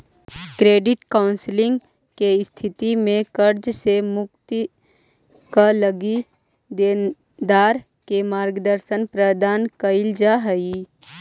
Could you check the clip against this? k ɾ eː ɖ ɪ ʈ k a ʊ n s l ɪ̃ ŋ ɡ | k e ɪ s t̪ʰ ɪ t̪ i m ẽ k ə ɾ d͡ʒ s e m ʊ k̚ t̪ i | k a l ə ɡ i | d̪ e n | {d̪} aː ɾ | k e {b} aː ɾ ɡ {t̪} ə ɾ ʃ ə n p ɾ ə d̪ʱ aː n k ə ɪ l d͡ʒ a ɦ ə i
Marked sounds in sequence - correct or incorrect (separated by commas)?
correct, incorrect, incorrect